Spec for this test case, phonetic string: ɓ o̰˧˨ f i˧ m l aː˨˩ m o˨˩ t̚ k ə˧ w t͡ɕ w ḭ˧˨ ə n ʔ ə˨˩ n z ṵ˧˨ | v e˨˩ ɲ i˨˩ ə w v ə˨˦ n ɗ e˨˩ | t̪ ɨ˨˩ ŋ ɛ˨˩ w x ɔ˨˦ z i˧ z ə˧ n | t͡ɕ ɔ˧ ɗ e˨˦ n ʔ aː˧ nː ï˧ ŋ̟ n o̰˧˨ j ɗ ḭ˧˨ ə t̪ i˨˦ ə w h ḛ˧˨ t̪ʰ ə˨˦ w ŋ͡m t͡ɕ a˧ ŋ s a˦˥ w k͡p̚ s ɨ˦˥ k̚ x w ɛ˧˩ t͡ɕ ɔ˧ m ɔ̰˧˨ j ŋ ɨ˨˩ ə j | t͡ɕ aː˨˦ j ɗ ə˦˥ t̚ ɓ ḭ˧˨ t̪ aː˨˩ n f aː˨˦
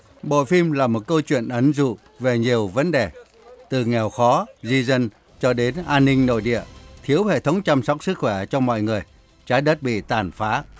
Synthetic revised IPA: ɓ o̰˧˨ f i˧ m l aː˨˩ m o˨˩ t̚ k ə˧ w t͡ɕ w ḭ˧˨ ə n ʔ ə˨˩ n z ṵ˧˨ | v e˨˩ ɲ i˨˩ ə w v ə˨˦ n ɗ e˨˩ | t̪ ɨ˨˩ ŋ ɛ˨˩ w x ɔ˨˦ z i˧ z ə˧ n | t͡ɕ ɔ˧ ɗ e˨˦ n ʔ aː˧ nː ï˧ ŋ̟ n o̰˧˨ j ɗ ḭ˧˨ ə t̪ʰ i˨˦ ə w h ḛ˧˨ t̪ʰ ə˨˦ w ŋ͡m t͡ɕ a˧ m s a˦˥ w k͡p̚ s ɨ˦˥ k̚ x w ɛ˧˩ t͡ɕ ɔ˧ m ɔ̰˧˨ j ŋ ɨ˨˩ ə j | t͡ɕ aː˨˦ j ɗ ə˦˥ t̚ ɓ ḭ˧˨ t̪ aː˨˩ n f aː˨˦